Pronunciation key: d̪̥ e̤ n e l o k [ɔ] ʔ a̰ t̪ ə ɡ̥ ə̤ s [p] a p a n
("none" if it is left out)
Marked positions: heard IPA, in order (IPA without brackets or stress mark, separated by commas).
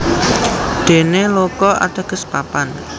ɔ, p